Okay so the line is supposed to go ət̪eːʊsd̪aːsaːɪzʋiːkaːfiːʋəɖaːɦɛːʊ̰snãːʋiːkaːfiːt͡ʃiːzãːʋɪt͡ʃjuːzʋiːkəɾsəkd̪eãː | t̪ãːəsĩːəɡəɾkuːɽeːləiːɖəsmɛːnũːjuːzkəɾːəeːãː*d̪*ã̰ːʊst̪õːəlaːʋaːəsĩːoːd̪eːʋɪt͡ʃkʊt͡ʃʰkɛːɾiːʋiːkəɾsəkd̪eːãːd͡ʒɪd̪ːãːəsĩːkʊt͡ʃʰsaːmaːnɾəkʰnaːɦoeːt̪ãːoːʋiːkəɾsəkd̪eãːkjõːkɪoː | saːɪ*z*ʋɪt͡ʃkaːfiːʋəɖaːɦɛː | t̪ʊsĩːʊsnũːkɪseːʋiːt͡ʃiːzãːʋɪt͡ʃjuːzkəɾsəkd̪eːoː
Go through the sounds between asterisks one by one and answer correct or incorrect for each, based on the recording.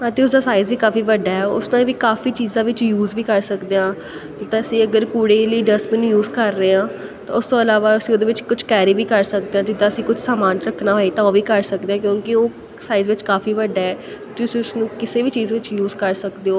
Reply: incorrect, correct

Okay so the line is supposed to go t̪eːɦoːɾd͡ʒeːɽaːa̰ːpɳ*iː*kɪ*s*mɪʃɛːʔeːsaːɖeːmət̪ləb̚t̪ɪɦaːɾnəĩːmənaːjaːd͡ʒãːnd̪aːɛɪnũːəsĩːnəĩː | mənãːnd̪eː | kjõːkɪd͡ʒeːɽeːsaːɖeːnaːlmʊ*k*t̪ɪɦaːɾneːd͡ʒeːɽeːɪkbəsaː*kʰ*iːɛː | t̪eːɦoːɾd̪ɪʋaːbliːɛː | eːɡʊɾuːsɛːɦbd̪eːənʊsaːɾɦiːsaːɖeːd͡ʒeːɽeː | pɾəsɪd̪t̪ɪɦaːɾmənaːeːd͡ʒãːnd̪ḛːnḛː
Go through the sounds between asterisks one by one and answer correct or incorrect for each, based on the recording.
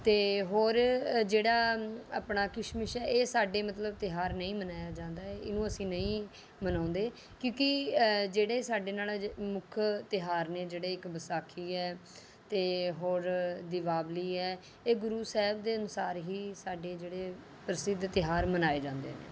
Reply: incorrect, incorrect, incorrect, correct

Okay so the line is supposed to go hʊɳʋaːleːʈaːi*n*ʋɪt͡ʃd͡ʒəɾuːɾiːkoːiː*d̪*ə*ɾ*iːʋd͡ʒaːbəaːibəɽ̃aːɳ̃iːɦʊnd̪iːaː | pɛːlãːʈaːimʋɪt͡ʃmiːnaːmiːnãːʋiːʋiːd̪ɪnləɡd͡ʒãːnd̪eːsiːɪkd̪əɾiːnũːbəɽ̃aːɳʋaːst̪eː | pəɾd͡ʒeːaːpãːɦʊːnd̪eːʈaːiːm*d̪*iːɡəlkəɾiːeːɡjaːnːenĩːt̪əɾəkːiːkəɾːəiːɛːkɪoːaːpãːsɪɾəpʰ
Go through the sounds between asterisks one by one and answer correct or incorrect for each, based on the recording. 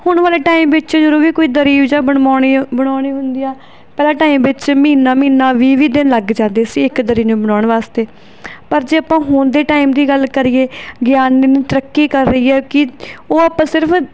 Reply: incorrect, correct, correct, correct

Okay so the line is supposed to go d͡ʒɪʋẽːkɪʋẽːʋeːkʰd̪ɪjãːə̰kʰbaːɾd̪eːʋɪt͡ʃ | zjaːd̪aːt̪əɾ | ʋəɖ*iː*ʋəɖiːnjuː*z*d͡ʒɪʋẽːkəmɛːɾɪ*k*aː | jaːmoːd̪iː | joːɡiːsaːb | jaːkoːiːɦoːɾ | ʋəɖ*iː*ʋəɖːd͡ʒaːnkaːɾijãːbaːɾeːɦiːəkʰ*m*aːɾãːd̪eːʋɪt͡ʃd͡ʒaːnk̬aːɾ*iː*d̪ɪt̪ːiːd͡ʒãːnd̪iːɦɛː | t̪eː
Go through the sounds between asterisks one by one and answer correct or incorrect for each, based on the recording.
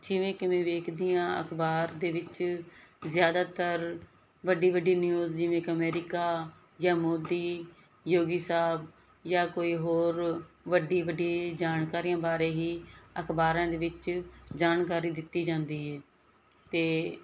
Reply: correct, correct, correct, correct, incorrect, correct

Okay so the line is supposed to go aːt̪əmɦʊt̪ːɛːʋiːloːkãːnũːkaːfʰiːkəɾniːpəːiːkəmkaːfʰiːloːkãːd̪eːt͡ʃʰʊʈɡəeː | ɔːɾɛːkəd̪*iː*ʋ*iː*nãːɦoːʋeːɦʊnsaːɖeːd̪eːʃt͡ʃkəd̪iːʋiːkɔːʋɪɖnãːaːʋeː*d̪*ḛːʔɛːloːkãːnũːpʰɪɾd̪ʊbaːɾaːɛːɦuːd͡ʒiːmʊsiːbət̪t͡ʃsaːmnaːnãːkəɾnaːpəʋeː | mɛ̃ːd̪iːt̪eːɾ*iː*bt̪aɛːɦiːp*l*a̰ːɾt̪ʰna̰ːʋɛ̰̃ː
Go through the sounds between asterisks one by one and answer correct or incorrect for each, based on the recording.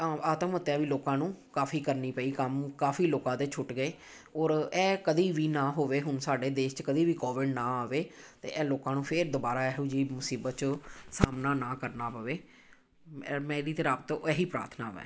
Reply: correct, correct, incorrect, incorrect, incorrect

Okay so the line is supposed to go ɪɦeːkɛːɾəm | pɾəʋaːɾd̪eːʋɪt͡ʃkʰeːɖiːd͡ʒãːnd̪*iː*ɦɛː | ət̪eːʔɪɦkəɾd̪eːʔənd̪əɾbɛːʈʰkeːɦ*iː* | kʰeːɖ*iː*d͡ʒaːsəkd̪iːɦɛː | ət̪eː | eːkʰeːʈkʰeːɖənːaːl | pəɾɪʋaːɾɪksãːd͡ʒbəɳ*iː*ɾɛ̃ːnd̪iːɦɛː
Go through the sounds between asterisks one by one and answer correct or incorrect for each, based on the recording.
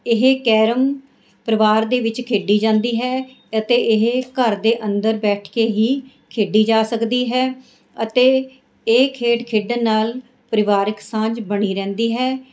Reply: correct, correct, correct, correct

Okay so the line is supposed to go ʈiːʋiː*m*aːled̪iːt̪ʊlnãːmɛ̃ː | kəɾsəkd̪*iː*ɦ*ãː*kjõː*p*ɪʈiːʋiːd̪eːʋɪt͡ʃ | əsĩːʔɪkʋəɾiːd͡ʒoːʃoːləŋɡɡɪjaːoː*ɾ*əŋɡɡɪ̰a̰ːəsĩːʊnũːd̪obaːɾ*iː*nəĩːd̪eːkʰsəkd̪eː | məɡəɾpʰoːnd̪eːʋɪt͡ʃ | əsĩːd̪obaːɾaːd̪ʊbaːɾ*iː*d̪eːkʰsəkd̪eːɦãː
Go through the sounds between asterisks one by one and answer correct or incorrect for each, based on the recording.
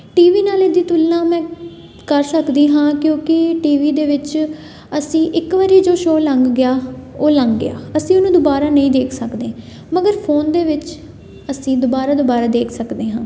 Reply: incorrect, correct, correct, incorrect, incorrect, incorrect, incorrect

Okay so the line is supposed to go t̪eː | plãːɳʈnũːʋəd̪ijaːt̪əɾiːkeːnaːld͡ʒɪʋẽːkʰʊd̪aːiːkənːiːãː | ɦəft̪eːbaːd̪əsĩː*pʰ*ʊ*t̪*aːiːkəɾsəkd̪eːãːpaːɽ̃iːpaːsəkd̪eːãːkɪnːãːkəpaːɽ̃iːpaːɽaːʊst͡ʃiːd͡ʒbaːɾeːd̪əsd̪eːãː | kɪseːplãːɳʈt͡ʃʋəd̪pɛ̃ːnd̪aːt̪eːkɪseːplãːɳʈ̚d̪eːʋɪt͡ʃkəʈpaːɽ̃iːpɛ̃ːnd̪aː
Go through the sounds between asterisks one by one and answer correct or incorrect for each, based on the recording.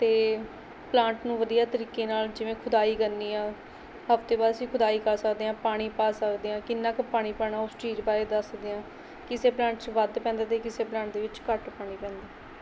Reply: incorrect, incorrect

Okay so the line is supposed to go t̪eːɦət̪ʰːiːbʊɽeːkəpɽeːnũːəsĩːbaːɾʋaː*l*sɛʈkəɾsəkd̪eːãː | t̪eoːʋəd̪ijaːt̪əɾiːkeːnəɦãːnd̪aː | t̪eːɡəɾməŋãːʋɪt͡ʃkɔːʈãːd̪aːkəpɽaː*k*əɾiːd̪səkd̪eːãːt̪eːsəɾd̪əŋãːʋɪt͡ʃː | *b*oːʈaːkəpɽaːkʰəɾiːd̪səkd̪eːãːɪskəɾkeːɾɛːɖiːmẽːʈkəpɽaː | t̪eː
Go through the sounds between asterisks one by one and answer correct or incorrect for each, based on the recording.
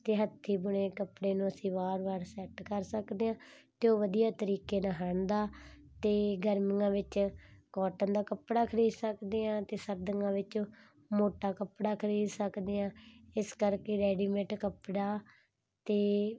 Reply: incorrect, incorrect, incorrect

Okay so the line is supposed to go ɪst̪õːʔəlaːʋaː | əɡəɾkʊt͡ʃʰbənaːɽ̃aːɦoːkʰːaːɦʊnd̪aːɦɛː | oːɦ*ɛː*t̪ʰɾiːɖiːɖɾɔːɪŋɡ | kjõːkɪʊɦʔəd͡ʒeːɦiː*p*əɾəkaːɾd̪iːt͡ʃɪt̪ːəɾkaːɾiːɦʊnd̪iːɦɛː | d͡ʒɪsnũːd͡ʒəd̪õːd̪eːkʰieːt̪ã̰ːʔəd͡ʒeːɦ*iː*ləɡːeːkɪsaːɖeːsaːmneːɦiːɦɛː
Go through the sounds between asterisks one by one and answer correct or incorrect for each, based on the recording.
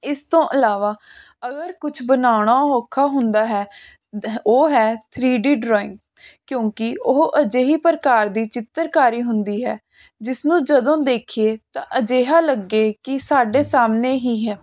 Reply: correct, correct, incorrect

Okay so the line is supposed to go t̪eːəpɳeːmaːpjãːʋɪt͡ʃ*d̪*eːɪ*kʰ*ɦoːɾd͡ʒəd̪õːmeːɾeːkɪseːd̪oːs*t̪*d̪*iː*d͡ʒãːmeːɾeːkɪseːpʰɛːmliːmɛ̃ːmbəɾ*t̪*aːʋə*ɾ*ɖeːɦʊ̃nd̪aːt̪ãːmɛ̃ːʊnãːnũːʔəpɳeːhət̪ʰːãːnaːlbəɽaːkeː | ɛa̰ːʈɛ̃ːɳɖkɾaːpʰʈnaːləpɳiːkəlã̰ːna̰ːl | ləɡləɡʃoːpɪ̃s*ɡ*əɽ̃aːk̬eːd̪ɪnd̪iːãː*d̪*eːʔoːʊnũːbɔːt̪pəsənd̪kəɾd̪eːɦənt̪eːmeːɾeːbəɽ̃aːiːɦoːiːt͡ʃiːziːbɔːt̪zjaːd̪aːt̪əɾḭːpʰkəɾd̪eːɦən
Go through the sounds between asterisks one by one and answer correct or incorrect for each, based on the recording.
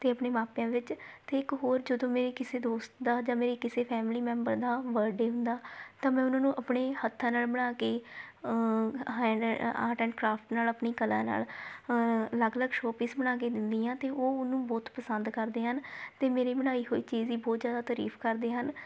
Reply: incorrect, incorrect, correct, incorrect, incorrect, correct, incorrect, incorrect

